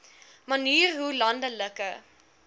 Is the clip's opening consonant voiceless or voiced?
voiced